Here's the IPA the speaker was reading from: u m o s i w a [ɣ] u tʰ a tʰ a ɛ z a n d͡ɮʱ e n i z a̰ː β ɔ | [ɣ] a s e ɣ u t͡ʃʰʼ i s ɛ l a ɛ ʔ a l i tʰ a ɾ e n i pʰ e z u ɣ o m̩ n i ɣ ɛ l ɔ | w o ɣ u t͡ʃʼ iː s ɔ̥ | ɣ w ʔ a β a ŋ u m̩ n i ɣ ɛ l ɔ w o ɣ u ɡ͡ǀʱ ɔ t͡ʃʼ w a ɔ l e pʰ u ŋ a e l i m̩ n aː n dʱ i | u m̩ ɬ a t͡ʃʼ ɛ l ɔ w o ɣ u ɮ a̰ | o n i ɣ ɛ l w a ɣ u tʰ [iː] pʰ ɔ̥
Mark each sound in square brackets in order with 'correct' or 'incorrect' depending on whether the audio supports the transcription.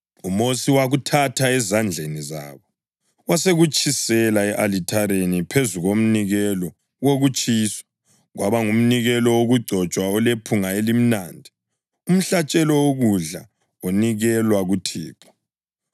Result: correct, incorrect: w, correct

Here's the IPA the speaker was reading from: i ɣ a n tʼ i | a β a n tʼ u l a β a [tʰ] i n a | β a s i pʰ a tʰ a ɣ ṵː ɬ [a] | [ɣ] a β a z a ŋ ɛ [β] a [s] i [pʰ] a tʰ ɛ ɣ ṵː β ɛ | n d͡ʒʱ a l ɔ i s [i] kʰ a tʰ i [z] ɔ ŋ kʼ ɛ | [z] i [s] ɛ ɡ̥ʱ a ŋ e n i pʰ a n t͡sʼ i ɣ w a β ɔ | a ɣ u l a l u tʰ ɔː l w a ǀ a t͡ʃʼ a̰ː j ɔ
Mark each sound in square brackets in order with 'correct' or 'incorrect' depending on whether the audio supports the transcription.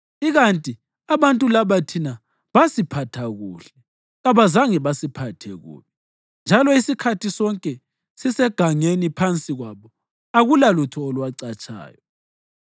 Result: correct, incorrect: ɛ, correct, correct, correct, correct, correct, incorrect: s, incorrect: s, correct

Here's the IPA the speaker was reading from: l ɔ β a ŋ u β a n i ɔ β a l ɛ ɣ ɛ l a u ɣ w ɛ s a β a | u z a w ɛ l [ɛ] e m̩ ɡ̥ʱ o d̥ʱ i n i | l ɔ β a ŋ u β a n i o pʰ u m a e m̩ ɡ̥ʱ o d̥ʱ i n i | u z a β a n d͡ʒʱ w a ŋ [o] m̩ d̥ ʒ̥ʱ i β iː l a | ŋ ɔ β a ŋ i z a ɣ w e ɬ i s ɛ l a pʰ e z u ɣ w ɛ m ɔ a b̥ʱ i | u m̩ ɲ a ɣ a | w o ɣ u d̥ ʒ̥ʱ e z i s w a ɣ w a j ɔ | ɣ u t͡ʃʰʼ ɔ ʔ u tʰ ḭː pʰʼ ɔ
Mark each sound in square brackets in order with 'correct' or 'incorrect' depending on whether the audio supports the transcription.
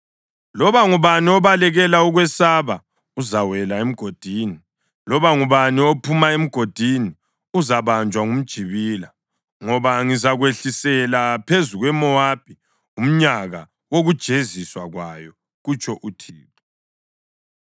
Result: incorrect: a, incorrect: u

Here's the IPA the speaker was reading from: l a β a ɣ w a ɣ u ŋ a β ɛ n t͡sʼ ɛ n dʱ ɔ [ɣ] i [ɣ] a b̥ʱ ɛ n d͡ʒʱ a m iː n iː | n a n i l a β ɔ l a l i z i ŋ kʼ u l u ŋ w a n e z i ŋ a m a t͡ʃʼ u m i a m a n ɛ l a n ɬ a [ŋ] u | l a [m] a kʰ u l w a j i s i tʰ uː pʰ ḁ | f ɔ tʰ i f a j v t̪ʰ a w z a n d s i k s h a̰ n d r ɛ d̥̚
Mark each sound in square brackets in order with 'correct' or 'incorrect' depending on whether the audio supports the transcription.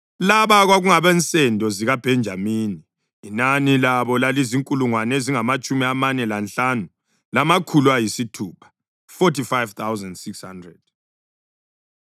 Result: incorrect: z, correct, incorrect: n, correct

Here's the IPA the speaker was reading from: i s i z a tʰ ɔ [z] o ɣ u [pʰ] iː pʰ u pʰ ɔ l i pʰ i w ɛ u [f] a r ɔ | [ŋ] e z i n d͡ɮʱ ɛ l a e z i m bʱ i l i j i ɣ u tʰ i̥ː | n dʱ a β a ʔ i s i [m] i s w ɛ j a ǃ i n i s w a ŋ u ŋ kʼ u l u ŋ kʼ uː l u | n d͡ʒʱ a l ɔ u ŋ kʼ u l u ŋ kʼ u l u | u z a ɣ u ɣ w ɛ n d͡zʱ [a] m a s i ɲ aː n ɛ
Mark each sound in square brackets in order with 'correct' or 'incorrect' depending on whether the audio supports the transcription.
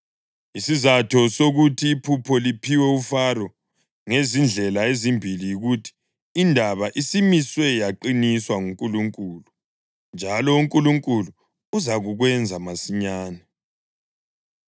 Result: incorrect: s, incorrect: tʰ, correct, correct, correct, correct

